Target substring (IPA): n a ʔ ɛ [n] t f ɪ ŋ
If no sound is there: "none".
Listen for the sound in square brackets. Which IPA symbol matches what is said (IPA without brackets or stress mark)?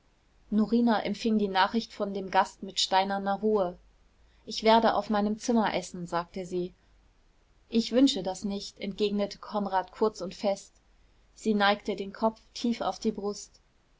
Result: m